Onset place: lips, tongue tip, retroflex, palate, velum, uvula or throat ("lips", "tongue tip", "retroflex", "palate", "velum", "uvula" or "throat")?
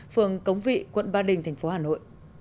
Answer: lips